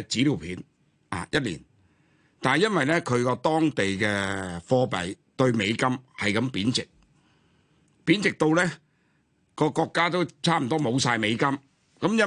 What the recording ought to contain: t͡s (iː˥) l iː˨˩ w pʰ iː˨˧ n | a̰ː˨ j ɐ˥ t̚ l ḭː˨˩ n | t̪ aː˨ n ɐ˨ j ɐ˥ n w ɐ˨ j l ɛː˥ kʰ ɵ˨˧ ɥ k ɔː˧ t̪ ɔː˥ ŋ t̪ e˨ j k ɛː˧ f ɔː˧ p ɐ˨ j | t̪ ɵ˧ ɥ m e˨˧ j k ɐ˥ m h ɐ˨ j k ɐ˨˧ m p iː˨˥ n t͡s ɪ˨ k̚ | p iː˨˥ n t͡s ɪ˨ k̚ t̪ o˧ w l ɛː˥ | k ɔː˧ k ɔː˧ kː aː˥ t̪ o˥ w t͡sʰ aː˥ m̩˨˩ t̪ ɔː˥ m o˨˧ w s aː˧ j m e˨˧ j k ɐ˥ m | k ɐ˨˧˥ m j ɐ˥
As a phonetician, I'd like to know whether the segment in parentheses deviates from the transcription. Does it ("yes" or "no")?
yes